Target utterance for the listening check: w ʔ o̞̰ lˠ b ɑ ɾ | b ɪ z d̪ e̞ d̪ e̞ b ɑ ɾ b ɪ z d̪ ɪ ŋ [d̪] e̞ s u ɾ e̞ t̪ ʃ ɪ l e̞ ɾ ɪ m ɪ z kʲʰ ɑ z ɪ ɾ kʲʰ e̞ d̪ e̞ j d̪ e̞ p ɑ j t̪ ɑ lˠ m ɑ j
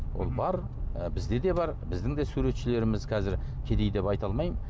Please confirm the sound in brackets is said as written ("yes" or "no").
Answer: yes